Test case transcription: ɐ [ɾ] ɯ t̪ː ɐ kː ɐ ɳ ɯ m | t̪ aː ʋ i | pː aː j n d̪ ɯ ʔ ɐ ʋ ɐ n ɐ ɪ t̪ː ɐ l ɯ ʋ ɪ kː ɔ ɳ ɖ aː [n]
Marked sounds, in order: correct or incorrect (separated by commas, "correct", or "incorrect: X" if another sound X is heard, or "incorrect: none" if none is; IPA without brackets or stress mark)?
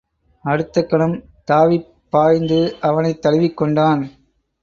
incorrect: ɽ, correct